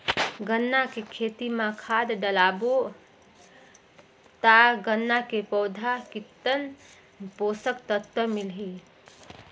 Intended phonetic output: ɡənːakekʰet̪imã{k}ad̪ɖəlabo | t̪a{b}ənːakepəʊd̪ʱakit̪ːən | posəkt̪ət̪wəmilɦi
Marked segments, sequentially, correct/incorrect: incorrect: kʰ, incorrect: ɡ

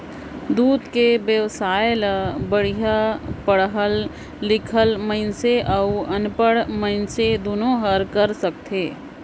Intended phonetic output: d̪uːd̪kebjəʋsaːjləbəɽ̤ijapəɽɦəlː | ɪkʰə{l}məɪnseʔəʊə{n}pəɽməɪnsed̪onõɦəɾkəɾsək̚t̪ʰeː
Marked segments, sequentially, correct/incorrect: correct, correct

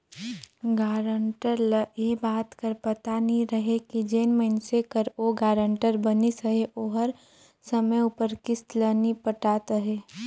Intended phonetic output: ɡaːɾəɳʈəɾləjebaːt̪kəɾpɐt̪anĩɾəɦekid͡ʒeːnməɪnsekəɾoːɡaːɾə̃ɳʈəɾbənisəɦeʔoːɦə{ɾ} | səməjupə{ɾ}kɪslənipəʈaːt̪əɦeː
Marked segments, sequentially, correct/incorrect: correct, correct

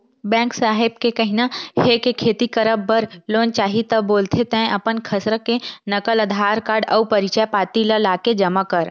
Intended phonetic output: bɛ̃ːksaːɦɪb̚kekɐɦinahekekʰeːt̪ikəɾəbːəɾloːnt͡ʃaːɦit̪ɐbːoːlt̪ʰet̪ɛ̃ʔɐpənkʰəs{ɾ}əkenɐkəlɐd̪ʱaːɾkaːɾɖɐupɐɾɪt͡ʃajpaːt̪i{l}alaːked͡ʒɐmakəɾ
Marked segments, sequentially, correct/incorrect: correct, correct

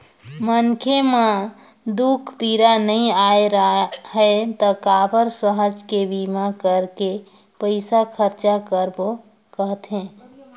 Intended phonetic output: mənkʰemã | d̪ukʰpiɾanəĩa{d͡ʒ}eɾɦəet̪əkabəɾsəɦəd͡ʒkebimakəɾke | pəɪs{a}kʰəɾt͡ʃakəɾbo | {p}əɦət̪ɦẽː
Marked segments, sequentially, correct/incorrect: incorrect: none, correct, incorrect: k

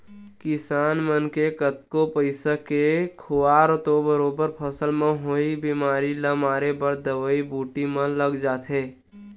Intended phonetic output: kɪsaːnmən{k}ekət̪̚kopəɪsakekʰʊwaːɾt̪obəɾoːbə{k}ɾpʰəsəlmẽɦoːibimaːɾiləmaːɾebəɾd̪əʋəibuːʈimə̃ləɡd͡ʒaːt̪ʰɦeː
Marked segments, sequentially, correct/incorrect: correct, incorrect: none

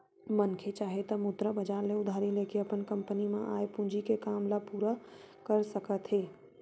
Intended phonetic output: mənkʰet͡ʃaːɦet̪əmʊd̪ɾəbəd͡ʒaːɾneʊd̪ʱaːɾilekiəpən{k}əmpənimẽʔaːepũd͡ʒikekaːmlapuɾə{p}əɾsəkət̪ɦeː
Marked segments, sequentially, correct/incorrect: correct, incorrect: k

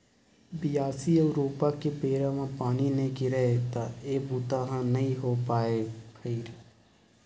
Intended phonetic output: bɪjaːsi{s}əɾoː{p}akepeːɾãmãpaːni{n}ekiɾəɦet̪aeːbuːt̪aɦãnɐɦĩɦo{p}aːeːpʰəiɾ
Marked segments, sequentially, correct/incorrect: incorrect: none, correct, correct, correct

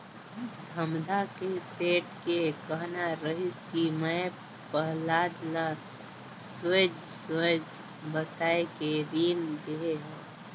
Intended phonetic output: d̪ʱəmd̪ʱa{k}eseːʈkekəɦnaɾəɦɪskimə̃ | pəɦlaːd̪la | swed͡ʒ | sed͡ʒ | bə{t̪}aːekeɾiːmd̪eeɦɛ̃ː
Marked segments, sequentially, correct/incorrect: correct, correct

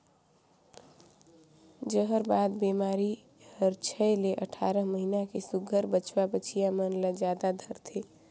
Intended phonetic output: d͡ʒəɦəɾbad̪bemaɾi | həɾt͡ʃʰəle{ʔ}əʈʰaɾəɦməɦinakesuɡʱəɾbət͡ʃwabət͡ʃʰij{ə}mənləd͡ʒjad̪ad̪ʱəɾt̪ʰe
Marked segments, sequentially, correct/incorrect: correct, incorrect: a

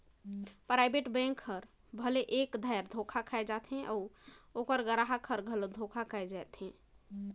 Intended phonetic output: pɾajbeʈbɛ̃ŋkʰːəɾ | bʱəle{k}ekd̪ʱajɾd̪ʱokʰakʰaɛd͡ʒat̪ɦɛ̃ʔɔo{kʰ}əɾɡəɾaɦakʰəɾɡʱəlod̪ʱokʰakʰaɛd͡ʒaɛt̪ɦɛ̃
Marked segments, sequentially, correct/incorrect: incorrect: ʔ, incorrect: k

